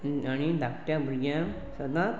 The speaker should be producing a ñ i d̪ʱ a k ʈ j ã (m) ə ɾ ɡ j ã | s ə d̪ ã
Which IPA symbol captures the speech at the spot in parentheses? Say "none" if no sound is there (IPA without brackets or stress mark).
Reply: b